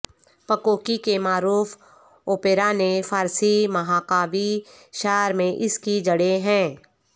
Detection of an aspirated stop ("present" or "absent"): absent